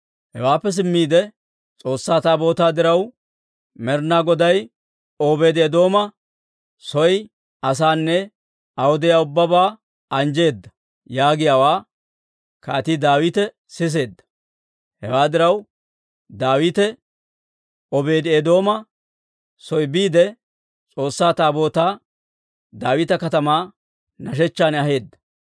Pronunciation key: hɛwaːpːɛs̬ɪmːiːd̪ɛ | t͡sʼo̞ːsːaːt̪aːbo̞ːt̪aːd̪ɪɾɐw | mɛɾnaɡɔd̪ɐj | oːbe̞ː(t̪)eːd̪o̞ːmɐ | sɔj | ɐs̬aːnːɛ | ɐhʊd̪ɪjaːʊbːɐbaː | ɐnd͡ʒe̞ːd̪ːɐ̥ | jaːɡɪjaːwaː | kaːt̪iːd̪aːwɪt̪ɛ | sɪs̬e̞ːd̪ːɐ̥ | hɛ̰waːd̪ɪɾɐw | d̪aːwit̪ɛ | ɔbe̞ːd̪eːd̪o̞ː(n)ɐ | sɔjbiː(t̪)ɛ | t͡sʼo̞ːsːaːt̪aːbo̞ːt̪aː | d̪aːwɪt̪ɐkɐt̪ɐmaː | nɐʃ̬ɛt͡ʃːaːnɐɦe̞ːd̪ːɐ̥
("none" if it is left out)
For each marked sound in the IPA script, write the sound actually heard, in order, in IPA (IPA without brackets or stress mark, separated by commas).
d̪, m, d̪